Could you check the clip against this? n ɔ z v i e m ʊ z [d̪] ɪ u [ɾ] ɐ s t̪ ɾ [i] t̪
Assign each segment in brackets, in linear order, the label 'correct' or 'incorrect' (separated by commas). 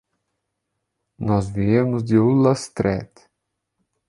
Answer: correct, incorrect, incorrect